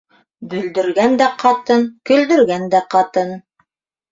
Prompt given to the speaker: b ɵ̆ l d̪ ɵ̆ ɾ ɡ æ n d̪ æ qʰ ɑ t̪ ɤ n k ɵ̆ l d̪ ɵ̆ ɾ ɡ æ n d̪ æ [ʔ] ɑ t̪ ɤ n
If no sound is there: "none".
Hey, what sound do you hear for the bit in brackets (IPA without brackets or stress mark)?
q